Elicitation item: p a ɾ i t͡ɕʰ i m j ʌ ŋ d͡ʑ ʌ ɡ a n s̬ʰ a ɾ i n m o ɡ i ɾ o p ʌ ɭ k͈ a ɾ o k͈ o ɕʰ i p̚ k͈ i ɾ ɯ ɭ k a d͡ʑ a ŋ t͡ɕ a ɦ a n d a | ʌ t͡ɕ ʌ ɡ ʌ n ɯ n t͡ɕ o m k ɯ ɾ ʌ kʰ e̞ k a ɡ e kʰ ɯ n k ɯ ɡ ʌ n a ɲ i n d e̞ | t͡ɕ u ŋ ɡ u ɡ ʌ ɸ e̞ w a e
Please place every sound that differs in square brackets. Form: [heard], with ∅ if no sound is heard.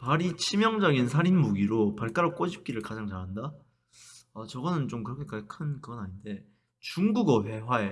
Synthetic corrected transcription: p a ɾ i t͡ɕʰ i m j ʌ ŋ d͡ʑ ʌ ɡ [i] n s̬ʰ a ɾ i n m [u] ɡ i ɾ o p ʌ ɭ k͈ a ɾ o k͈ o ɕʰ i p̚ k͈ i ɾ ɯ ɭ k a d͡ʑ a ŋ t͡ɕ a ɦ a n d a | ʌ t͡ɕ ʌ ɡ ʌ n ɯ n t͡ɕ o m k ɯ ɾ ʌ kʰ e̞ k a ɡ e kʰ ɯ n k ɯ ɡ ʌ n a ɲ i n d e̞ | t͡ɕ u ŋ ɡ u ɡ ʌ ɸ e̞ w a e